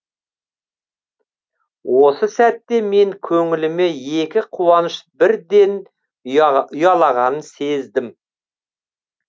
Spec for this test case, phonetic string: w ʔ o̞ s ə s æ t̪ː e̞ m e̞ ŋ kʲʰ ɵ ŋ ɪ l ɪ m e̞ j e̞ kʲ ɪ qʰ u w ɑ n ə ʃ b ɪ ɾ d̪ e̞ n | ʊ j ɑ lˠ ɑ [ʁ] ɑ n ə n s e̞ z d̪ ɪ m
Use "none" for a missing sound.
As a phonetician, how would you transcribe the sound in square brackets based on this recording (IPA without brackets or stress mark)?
ʁ